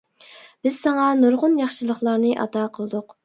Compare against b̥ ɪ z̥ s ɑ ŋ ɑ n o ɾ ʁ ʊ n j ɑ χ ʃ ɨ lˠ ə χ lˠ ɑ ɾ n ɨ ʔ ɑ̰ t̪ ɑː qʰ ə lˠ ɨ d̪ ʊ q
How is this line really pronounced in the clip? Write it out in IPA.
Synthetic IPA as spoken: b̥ ɪ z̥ s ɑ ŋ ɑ n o ɾ ʁ ʊ n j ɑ χ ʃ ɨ lˠ ə χ lˠ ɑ ɾ n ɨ ʔ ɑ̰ t̪ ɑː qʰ ə lˠ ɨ d̪ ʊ q